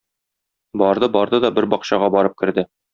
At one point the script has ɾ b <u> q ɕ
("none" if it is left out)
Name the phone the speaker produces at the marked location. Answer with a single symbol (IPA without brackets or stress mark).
ɒ